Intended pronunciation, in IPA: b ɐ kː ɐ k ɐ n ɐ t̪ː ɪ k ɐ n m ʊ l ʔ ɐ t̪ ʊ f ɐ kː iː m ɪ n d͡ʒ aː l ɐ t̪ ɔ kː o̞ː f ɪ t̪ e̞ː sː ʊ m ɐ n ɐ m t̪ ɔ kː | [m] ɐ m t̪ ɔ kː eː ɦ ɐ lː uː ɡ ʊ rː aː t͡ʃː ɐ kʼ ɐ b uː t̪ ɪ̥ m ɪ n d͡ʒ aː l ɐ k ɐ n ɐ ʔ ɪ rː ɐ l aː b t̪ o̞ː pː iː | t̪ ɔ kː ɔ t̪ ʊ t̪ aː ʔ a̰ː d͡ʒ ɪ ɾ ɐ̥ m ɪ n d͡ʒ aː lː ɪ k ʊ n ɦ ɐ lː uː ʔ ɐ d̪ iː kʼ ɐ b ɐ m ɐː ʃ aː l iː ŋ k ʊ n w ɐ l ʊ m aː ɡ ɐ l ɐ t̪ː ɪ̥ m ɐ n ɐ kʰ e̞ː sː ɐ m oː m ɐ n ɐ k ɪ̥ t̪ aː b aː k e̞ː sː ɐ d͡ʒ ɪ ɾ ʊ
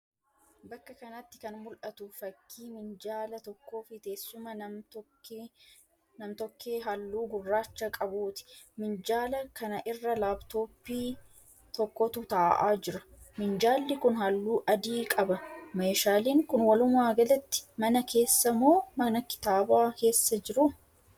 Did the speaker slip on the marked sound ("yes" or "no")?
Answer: yes